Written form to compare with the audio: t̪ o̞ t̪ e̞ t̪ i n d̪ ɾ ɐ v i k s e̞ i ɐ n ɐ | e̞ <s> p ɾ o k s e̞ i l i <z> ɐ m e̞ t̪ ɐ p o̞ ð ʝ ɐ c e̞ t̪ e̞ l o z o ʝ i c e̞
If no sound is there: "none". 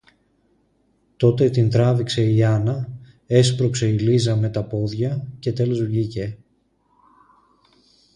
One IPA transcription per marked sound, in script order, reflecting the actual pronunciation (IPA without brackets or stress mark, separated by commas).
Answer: s, z